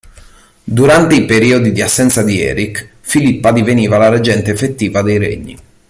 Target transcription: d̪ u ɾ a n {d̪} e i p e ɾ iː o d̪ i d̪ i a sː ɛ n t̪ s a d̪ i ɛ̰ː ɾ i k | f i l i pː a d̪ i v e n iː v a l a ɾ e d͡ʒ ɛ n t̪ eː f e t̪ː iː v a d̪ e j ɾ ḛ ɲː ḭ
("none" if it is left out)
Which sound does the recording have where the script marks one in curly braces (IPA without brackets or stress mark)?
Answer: t̪